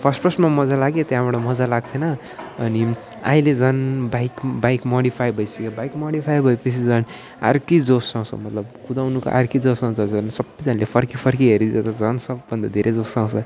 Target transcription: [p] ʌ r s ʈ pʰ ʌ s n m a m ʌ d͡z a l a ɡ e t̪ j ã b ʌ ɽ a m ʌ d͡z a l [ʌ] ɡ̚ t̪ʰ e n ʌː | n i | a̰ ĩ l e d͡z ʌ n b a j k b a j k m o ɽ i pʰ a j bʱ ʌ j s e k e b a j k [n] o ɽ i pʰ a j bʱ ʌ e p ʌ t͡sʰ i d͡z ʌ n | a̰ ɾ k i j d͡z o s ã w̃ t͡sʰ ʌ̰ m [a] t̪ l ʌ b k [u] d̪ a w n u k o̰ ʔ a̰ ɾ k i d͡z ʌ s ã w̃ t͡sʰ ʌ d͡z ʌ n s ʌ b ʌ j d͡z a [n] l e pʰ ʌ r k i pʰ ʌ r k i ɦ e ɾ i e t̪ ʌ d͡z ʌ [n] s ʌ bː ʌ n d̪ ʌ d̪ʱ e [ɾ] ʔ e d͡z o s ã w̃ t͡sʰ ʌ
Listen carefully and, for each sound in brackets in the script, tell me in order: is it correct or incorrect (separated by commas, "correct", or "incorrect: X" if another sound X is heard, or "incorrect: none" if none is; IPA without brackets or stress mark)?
incorrect: pʰ, incorrect: a, incorrect: m, incorrect: ʌ, correct, correct, correct, correct